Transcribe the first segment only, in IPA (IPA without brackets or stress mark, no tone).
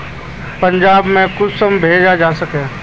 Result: p